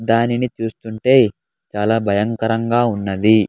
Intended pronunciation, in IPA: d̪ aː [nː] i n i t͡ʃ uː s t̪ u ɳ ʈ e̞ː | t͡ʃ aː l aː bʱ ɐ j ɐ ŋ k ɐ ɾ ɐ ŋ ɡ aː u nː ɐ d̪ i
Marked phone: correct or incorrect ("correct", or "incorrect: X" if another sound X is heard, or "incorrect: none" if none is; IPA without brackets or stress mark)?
incorrect: n